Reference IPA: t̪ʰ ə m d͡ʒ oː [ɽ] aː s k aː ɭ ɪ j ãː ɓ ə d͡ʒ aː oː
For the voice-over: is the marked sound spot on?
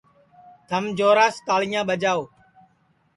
no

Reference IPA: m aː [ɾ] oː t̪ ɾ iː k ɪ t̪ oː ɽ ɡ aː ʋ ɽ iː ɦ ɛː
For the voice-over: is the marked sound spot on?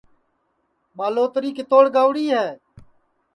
no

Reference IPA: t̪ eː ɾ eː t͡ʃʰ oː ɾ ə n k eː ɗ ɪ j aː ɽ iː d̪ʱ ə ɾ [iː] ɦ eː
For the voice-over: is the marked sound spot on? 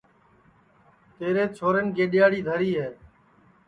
yes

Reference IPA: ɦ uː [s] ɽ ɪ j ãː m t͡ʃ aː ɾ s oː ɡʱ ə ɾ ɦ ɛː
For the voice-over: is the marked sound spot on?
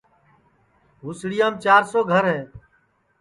yes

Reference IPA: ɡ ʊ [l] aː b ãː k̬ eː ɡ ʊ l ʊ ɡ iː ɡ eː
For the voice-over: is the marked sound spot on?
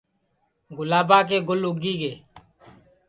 yes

